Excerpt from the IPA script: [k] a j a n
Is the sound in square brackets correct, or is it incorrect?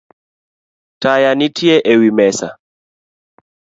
incorrect: t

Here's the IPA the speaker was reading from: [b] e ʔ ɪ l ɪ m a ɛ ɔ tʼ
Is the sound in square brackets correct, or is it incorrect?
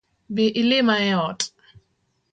correct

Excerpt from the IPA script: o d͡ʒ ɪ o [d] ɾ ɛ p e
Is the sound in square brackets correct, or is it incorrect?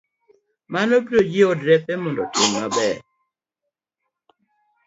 correct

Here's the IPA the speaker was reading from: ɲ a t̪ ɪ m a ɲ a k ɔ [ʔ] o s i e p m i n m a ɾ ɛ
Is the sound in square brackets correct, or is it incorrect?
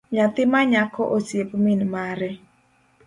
correct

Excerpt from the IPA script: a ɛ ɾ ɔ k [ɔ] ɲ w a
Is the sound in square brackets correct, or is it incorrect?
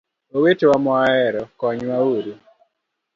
correct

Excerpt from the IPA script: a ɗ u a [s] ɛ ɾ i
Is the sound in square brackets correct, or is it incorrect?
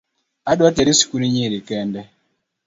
incorrect: t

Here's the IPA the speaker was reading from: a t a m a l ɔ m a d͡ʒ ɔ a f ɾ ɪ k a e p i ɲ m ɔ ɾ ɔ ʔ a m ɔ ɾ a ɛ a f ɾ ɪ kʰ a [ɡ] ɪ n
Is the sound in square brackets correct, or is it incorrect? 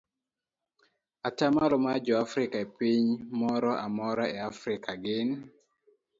correct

